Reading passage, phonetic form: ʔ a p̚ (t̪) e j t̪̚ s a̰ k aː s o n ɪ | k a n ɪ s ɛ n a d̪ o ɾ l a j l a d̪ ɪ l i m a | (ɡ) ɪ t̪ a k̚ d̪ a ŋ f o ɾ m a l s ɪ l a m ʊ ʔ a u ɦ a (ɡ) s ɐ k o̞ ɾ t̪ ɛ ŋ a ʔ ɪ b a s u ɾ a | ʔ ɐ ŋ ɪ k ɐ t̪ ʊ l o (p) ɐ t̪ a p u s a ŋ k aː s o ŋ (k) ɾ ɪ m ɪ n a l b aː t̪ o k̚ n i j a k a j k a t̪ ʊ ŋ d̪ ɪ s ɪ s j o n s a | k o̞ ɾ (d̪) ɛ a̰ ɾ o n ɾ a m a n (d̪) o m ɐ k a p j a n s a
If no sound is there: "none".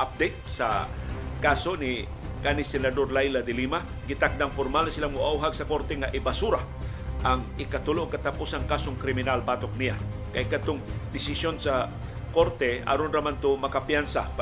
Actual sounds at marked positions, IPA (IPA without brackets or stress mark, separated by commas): d̪, ɡ, ɡ, k, k, t̪, t̪